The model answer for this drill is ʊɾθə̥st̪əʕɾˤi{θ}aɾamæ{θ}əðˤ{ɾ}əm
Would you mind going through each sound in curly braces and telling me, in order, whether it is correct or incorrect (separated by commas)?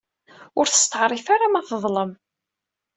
incorrect, correct, incorrect